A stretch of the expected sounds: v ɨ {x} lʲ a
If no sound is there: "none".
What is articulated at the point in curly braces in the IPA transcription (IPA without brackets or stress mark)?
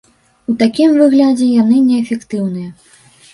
ɣ